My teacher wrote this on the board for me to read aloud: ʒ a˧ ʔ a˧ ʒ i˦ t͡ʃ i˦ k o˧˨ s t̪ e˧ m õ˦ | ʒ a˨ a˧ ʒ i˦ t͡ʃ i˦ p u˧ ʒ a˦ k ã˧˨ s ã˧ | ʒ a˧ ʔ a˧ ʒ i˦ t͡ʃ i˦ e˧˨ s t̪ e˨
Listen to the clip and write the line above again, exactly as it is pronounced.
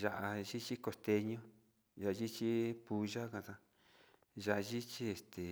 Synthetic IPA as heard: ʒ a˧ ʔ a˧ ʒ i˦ t͡ʃ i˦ k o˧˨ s t̪ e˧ ɲ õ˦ | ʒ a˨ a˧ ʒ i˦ t͡ʃ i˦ p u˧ ʒ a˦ k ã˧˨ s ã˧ | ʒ a˧ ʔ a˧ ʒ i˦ t͡ʃ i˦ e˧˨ s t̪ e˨